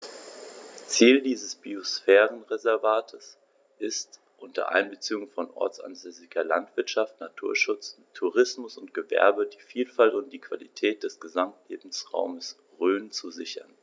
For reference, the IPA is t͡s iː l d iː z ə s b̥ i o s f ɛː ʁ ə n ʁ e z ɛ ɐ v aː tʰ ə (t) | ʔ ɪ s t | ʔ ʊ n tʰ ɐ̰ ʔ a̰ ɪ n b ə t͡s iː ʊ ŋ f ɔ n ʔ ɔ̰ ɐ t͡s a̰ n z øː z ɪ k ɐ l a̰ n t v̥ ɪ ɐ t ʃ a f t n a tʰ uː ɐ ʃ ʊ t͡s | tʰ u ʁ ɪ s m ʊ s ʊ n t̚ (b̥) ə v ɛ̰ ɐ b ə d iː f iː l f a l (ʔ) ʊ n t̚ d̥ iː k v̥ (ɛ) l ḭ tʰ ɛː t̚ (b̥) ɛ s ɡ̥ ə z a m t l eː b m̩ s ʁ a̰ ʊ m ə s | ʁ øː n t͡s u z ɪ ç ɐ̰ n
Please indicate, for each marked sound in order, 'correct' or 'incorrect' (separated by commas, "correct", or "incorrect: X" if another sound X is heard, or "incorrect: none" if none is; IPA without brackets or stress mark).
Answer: incorrect: s, incorrect: ɡ̥, incorrect: t, incorrect: a, incorrect: d̥